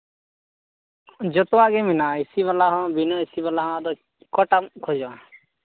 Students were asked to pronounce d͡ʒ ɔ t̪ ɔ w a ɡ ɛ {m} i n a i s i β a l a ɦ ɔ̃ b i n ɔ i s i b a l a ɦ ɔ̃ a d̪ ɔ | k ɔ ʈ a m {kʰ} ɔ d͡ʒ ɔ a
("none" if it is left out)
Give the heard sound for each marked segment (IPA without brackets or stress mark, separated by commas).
m, kʰ